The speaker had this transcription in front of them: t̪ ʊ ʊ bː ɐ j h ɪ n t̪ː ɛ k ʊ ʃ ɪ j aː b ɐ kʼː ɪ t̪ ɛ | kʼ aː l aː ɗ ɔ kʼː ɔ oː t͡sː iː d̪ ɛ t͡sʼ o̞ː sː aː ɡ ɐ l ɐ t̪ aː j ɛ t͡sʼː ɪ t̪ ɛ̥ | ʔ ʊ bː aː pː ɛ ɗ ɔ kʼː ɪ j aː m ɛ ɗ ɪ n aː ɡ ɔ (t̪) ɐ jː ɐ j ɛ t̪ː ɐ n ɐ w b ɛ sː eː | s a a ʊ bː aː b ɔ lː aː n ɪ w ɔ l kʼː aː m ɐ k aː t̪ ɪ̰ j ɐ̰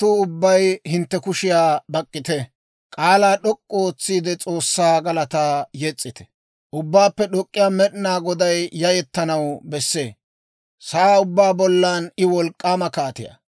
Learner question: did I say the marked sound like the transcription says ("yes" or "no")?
no